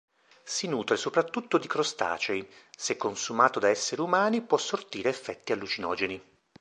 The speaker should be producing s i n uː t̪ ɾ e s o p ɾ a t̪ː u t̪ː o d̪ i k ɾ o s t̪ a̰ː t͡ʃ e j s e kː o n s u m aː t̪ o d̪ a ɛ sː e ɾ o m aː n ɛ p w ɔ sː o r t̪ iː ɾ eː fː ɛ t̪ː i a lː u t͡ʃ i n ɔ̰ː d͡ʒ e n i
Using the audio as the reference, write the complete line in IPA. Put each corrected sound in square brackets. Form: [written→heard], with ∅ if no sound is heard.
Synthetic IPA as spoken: s i n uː t̪ ɾ e s o p ɾ a t̪ː u t̪ː o d̪ i k ɾ o s t̪ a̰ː t͡ʃ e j s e kː o n s u m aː t̪ o d̪ a ɛ sː e ɾ [o→u] m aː n [ɛ→i] p w ɔ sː o r t̪ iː ɾ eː fː ɛ t̪ː i a lː u t͡ʃ i n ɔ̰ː d͡ʒ e n i